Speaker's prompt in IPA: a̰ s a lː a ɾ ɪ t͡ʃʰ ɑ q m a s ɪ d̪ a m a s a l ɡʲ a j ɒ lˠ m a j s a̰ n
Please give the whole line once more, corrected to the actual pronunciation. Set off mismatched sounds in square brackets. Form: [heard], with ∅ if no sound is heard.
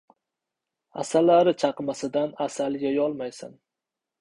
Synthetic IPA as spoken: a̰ s a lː a ɾ ɪ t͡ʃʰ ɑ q m a s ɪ d̪ a [n] a s a l ɡʲ a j ɒ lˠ m a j s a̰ n